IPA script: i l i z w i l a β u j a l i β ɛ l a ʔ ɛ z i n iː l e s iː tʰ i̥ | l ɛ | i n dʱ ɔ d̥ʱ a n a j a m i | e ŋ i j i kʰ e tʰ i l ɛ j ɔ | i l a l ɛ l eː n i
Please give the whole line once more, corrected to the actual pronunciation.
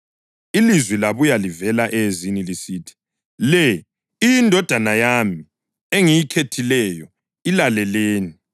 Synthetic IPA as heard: i l i z w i l a β u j a l i v ɛ l a ʔ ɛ z i n i l i s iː tʰ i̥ | l ɛ | i n dʱ ɔ d̥ʱ a n a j a m i | e ŋ i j i kʰ e tʰ i l ɛ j ɔ | i l a l ɛ l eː n i